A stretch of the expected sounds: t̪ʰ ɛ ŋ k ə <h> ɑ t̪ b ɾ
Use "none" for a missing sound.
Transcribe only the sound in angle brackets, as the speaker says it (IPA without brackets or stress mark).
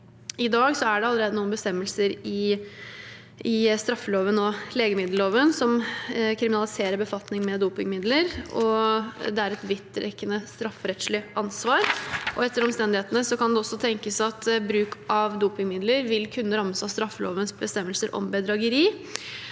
s